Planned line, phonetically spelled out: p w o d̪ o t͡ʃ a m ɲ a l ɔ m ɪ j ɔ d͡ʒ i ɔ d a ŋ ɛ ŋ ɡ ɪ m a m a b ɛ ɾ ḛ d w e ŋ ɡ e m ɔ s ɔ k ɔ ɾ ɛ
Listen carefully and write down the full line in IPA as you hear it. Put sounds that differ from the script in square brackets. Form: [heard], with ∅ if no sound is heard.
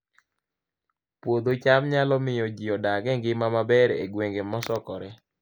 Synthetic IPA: p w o d̪ o t͡ʃ a m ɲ a l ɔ m ɪ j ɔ d͡ʒ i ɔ d a [ɡ] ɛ ŋ ɡ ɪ m a m a b ɛ ɾ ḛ [ɡ] w e ŋ ɡ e m ɔ s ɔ k ɔ ɾ ɛ